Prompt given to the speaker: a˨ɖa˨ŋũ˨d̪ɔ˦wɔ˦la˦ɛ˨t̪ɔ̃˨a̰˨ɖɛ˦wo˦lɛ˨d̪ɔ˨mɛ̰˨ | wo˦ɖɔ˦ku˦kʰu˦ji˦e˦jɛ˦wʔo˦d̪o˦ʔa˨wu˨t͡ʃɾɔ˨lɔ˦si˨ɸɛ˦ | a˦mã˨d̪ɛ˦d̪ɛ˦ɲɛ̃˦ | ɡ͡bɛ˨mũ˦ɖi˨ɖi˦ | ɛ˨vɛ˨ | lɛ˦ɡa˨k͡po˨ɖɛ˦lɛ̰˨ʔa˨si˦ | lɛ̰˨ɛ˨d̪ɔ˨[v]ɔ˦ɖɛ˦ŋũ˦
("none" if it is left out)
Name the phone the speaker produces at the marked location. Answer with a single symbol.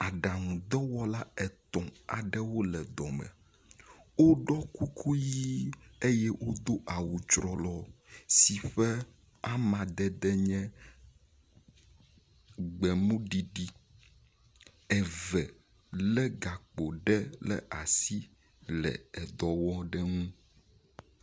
w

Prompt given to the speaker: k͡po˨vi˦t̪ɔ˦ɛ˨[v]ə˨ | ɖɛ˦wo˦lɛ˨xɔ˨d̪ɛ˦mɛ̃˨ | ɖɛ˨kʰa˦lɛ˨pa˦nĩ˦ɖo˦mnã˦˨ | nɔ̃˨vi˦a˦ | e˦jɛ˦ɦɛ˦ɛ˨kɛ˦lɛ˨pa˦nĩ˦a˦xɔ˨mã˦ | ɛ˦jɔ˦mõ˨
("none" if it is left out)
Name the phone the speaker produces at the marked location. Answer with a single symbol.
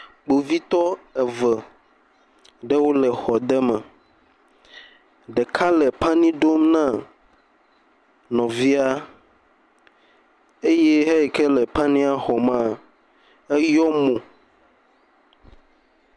v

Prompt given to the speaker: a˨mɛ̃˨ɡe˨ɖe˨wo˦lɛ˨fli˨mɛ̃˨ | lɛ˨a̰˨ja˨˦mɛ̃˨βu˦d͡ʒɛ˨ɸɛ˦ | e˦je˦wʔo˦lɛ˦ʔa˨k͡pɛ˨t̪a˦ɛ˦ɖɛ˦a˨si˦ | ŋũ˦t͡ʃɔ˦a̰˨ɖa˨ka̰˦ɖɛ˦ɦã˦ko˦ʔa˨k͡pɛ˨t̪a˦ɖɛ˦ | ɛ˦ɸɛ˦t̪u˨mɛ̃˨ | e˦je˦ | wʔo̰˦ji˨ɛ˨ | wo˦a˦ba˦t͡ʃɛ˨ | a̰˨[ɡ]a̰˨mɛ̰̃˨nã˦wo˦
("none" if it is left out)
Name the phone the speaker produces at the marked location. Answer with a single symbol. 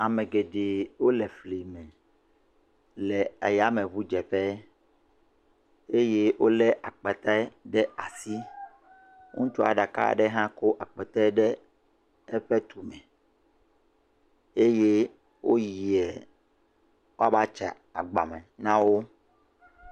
ɡ͡b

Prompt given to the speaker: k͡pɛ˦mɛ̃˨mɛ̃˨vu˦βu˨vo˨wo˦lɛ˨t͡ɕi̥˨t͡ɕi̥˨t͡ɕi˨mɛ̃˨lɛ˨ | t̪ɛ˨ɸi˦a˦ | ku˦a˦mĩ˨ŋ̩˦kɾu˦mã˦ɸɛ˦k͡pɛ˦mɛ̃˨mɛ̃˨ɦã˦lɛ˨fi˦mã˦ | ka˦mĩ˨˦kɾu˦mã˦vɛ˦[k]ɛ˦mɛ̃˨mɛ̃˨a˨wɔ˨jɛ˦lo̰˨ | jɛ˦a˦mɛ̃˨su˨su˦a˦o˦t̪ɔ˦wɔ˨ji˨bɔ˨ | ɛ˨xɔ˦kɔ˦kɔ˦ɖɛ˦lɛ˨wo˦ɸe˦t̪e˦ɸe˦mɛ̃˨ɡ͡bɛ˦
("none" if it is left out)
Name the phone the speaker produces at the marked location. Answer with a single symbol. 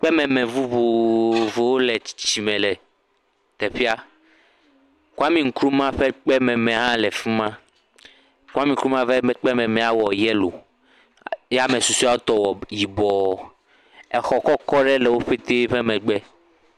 k͡p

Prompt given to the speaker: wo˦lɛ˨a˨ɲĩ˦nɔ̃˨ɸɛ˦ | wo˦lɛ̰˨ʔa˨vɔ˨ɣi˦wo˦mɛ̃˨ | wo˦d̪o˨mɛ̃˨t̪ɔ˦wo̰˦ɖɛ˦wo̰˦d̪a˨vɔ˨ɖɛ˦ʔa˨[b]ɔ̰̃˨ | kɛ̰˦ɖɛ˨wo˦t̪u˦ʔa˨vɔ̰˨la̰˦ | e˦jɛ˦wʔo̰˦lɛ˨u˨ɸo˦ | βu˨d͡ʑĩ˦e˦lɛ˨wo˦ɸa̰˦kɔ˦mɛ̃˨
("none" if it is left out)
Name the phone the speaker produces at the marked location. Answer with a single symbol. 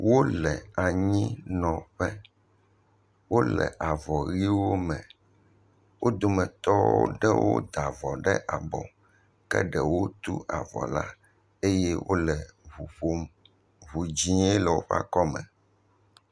b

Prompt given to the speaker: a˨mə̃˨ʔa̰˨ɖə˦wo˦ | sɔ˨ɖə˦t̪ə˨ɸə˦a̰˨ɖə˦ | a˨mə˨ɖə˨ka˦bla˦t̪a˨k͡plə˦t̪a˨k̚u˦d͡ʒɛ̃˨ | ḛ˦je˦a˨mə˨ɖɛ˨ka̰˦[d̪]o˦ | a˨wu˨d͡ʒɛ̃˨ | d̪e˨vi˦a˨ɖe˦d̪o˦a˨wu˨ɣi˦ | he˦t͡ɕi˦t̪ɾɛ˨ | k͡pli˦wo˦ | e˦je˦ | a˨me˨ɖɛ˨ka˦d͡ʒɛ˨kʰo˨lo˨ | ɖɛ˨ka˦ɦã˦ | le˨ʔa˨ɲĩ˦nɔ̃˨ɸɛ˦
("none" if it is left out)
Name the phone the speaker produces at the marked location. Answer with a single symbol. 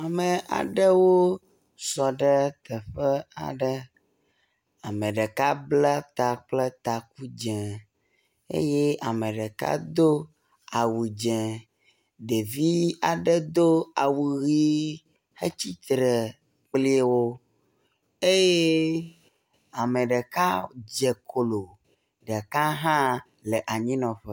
d̪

